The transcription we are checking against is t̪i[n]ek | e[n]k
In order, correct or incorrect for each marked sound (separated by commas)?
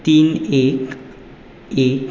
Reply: correct, incorrect